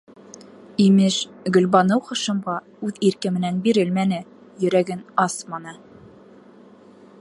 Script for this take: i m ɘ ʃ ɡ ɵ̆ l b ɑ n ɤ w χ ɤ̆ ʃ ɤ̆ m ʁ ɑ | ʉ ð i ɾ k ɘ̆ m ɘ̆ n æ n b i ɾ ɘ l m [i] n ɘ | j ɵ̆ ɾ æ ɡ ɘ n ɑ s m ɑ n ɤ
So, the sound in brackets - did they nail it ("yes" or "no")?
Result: no